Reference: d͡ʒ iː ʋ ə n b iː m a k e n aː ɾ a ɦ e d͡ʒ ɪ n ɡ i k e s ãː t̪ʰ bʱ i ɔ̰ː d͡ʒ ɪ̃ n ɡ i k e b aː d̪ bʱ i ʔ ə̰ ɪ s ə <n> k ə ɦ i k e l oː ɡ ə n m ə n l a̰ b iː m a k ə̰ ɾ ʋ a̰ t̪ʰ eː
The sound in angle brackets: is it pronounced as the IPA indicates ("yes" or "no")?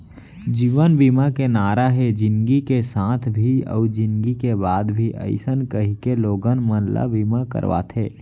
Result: yes